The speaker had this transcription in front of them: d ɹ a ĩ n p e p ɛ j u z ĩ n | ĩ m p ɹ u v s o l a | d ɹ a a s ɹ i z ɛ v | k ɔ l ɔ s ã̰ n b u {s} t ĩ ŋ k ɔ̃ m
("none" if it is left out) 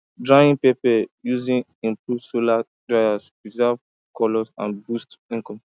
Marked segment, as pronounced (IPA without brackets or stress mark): s